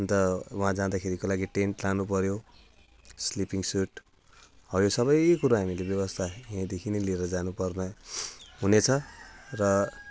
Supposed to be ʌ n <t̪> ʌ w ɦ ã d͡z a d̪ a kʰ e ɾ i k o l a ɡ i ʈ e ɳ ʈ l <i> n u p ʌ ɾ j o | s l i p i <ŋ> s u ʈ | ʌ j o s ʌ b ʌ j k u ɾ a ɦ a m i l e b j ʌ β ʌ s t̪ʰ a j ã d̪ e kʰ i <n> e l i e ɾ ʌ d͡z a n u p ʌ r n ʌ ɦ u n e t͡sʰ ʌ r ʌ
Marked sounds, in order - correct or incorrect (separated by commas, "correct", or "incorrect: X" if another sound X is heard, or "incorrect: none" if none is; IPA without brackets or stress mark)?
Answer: correct, incorrect: a, correct, correct